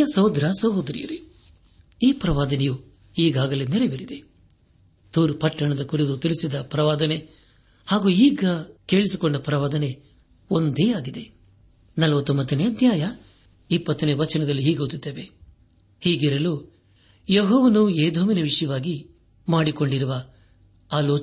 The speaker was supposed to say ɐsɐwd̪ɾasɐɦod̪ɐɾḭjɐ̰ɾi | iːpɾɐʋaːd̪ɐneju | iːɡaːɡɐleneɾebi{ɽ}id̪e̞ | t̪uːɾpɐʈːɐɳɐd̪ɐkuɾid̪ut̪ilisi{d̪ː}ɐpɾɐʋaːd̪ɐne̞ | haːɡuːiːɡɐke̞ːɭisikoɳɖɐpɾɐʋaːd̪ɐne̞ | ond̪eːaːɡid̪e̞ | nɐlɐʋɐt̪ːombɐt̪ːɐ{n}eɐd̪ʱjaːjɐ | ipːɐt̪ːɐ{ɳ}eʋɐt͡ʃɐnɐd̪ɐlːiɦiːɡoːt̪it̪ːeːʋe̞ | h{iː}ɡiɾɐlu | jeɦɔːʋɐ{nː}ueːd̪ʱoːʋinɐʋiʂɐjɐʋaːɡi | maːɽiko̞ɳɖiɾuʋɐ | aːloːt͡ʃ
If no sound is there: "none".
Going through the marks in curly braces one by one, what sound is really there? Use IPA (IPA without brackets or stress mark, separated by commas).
ɾ, d̪, n, n, iː, n